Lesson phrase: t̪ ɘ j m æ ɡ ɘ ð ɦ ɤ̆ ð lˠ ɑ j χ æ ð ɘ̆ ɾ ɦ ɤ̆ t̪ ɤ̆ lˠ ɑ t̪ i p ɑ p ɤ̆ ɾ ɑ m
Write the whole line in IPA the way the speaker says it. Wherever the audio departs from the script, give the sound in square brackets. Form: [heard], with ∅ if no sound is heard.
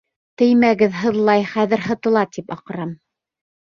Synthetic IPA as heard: t̪ ɘ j m æ ɡ ɘ ð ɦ ɤ̆ ð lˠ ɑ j χ æ ð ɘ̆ ɾ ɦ ɤ̆ t̪ ɤ̆ lˠ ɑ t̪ i p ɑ [q] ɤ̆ ɾ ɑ m